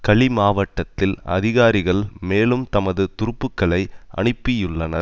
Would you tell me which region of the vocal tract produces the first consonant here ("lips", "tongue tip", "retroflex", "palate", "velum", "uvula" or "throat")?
velum